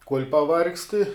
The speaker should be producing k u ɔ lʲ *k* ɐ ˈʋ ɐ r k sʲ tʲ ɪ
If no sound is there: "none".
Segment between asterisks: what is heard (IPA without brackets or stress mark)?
p